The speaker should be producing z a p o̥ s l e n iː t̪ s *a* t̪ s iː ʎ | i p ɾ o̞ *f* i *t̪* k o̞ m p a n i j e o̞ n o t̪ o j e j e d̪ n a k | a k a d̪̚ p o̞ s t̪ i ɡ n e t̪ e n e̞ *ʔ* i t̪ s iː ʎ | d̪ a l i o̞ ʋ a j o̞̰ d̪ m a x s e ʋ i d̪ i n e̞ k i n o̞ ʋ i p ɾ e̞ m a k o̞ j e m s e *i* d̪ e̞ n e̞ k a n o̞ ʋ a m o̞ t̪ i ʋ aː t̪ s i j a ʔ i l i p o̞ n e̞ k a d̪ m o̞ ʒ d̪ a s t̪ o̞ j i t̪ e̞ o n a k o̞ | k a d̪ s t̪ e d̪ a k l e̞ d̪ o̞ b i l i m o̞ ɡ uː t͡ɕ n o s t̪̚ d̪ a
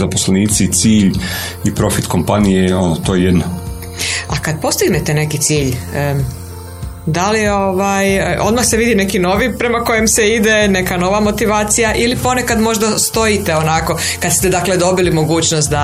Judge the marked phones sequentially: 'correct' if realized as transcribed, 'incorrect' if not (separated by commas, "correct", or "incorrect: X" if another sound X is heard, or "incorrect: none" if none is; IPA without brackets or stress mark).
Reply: incorrect: i, correct, correct, incorrect: k, correct